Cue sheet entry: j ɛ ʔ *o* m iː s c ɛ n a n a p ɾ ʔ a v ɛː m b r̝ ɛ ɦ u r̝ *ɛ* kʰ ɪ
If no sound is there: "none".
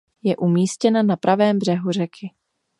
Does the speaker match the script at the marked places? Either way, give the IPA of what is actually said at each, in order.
u, ɛ

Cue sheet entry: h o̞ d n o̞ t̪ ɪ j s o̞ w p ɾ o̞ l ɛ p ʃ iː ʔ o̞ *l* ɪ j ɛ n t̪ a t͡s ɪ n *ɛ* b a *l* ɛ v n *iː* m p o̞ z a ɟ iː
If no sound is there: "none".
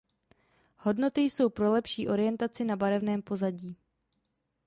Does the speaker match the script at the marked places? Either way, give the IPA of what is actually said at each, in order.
ɾ, a, ɾ, ɛː

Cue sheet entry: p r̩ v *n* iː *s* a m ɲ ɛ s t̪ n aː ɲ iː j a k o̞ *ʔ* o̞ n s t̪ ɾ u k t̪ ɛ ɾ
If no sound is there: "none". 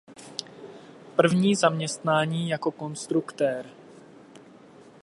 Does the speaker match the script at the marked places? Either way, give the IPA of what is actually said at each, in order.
ɲ, z, k

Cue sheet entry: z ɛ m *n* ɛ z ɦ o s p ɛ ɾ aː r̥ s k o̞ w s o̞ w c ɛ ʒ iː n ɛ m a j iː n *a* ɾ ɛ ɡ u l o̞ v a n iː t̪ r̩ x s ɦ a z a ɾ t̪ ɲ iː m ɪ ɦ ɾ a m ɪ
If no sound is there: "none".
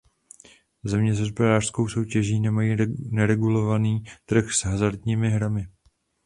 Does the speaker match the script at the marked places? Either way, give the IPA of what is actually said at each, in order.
ɲ, ɛ

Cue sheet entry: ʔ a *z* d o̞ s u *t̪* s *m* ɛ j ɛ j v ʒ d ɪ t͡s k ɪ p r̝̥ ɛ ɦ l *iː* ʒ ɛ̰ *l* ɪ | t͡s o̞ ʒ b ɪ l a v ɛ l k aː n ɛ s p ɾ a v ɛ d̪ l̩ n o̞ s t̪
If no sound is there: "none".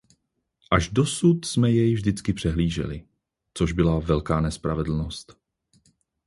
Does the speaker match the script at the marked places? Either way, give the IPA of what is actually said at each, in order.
ʒ, t̪, m, iː, l

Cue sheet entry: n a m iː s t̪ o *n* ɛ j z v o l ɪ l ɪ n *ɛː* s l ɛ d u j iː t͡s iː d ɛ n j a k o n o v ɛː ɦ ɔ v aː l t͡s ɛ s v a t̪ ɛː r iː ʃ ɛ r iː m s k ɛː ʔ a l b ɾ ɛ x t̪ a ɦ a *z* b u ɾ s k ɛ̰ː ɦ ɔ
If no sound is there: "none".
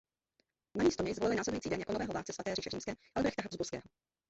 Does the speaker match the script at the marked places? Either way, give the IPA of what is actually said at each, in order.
ɲ, aː, z

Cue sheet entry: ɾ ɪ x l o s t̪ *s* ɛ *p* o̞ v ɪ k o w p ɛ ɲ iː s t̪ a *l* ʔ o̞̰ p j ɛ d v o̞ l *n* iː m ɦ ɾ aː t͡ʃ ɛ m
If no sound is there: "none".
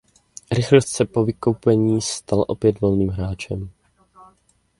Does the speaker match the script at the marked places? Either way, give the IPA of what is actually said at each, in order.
s, p, l, n

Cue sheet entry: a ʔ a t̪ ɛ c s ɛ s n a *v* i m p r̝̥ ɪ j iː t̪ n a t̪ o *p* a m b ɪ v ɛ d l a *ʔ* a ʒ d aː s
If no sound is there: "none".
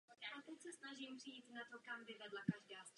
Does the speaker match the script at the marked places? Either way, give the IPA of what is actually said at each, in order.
ʒ, k, k

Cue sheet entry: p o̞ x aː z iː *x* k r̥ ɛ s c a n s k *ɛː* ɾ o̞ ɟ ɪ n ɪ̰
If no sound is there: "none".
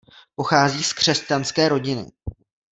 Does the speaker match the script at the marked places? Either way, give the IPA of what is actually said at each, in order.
s, ɛː

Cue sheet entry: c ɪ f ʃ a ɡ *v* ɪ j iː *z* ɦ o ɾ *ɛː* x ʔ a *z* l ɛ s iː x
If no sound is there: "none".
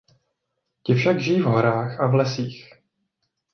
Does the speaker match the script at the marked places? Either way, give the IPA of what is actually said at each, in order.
ʒ, v, aː, v

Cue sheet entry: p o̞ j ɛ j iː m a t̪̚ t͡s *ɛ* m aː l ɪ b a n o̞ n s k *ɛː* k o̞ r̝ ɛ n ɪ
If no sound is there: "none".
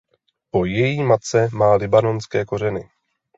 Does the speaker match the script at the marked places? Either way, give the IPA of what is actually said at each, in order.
ɛ, ɛː

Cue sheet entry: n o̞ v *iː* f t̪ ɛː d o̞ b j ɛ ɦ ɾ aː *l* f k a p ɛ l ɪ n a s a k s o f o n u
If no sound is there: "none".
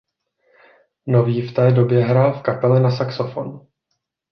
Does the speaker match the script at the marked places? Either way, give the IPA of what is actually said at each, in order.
iː, l

